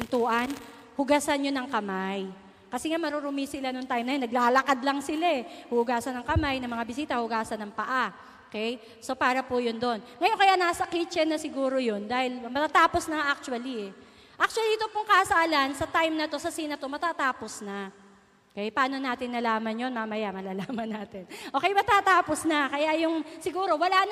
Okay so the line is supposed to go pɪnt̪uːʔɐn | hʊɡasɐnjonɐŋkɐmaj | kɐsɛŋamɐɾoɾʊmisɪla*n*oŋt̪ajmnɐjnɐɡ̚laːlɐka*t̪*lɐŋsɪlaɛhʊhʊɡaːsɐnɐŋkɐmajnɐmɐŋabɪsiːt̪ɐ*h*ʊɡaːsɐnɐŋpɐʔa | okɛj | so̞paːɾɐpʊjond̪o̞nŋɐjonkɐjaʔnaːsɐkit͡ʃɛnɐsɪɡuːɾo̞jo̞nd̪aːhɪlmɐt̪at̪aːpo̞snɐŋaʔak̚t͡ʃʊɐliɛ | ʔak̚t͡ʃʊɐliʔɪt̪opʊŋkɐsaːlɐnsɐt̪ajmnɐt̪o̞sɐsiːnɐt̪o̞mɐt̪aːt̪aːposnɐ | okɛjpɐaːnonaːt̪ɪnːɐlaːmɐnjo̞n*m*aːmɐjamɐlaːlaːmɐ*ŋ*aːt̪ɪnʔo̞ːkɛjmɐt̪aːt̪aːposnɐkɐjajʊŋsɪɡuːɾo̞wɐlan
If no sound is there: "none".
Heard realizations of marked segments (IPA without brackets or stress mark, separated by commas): n, d̪, h, m, n